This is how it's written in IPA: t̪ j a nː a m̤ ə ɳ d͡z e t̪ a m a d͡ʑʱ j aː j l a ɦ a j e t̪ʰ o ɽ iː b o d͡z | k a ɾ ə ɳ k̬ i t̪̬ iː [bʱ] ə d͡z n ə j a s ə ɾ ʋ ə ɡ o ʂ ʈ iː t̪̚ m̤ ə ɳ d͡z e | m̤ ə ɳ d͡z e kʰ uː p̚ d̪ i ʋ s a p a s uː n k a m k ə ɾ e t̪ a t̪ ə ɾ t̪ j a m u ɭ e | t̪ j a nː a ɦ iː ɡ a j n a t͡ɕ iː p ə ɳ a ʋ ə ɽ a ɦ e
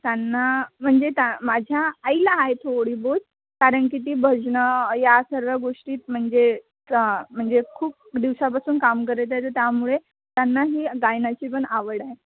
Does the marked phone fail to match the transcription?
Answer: no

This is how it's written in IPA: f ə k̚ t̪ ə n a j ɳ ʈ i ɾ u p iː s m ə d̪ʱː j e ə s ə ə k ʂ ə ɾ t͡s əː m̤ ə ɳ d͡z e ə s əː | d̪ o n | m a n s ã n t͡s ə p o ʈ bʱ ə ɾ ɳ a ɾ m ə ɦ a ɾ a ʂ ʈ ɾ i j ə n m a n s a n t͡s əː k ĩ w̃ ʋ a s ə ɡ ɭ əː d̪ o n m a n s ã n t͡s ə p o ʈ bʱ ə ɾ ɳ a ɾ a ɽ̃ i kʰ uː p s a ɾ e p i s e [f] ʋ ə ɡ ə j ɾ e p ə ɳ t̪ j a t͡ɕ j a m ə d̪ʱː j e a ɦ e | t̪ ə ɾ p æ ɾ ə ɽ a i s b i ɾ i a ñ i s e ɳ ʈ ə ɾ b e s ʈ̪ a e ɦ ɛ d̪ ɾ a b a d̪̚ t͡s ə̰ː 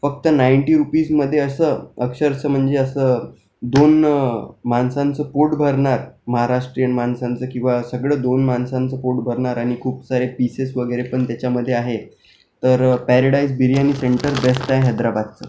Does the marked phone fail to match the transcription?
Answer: yes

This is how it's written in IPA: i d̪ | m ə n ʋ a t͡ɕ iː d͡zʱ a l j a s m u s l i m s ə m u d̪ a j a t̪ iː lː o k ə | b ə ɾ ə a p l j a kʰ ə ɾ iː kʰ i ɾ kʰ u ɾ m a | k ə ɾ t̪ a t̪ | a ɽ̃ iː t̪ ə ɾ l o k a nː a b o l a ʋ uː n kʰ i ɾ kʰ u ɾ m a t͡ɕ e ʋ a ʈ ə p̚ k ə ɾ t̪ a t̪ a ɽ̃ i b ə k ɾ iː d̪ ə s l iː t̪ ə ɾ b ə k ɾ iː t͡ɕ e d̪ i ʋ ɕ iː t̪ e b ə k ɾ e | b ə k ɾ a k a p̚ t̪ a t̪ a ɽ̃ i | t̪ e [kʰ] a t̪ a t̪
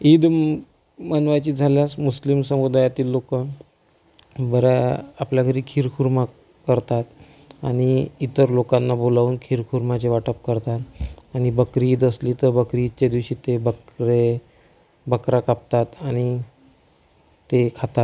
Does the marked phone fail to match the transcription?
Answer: no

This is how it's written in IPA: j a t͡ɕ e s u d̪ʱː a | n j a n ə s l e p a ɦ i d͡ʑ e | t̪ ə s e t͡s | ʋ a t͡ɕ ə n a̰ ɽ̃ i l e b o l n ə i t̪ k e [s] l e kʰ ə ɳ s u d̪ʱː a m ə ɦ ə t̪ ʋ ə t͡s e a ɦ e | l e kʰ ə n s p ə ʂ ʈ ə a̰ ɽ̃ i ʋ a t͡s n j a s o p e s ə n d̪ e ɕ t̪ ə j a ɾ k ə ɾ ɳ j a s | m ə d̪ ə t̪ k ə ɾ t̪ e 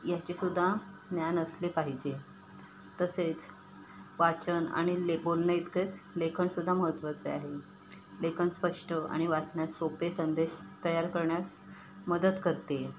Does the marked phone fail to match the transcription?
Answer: yes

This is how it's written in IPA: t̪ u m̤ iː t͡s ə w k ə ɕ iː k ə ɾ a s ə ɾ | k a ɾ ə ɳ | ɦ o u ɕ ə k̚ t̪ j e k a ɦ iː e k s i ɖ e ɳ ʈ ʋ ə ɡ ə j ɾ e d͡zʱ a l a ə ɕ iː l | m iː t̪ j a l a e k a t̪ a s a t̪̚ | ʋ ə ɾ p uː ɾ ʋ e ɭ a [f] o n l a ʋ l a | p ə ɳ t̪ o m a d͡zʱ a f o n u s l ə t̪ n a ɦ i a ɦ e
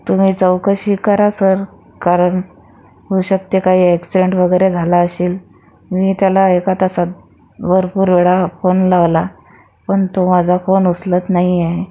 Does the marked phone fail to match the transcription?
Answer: no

